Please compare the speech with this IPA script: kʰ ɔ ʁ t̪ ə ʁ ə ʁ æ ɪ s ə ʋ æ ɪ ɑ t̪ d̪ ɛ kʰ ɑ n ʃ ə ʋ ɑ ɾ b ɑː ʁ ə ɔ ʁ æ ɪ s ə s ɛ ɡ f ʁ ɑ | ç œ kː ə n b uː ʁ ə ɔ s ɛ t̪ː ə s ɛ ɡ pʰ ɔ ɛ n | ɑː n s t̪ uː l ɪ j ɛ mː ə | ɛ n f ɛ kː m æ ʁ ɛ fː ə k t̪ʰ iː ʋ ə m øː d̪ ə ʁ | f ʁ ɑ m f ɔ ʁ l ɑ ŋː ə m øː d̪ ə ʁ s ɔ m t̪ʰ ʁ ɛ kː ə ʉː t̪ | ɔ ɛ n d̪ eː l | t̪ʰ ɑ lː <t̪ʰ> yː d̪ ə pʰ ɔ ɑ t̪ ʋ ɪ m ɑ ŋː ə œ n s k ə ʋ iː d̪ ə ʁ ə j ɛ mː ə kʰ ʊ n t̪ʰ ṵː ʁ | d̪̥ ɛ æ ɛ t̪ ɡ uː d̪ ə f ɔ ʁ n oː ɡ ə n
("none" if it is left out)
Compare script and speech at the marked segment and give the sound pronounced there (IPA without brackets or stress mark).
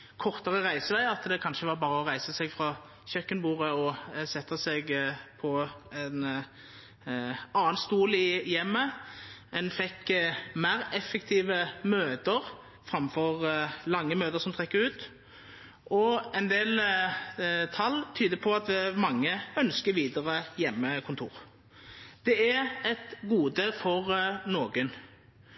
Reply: t̪ʰ